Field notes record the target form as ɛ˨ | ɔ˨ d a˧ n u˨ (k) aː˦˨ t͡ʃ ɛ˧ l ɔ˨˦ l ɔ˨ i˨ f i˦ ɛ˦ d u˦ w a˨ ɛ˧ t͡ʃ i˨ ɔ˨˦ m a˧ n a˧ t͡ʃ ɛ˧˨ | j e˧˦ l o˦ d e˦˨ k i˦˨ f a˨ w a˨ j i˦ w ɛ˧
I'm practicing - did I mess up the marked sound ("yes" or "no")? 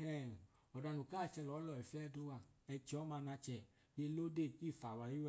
no